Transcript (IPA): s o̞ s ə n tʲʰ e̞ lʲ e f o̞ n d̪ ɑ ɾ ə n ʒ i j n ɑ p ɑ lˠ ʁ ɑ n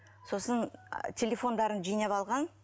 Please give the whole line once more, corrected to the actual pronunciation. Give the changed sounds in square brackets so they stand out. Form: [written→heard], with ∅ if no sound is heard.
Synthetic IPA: s o̞ s ə n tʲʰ e̞ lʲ e f o̞ n d̪ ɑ ɾ ə n ʒ i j n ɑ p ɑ lˠ ʁ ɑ n